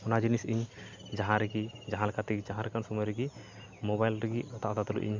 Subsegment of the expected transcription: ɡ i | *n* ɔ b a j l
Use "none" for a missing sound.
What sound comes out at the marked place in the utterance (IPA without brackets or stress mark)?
m